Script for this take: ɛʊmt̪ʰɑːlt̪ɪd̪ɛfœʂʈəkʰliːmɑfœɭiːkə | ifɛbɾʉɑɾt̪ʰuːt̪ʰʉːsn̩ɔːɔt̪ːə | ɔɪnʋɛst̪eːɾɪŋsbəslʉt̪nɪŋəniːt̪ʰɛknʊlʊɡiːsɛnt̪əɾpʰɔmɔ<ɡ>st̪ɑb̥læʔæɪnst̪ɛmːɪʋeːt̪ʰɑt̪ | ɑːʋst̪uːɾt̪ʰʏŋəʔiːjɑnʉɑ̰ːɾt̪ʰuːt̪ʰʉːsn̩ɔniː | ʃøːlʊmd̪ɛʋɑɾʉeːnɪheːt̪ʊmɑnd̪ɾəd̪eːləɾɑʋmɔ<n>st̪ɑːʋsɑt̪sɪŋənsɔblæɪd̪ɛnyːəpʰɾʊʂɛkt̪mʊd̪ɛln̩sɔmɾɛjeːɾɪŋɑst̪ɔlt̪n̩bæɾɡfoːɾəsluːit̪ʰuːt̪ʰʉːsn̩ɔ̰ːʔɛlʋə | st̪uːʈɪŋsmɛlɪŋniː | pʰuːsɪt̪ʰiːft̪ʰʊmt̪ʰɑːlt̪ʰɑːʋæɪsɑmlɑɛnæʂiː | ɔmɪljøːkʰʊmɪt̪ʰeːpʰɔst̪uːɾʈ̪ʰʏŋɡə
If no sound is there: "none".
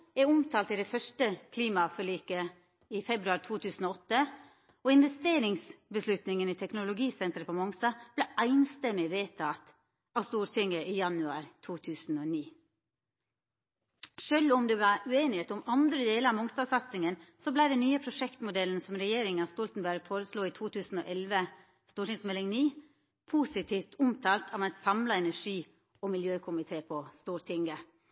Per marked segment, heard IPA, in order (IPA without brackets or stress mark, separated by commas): ŋ, ŋ